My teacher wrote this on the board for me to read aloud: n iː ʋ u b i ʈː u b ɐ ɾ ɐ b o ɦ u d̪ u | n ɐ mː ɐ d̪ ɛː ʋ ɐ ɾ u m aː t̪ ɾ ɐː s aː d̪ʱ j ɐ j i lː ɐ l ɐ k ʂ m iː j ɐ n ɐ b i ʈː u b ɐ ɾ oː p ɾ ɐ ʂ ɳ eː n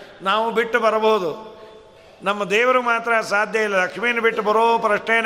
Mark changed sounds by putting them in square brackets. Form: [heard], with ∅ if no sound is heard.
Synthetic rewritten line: n [aː] ʋ u b i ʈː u b ɐ ɾ ɐ b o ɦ u d̪ u | n ɐ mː ɐ d̪ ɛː ʋ ɐ ɾ u m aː t̪ ɾ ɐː s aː d̪ʱ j ɐ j i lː ɐ l ɐ k ʂ m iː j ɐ n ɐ b i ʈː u b ɐ ɾ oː p ɾ ɐ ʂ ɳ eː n